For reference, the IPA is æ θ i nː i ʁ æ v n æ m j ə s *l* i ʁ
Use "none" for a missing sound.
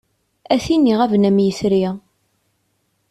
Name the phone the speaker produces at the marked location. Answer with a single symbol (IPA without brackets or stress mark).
ɾ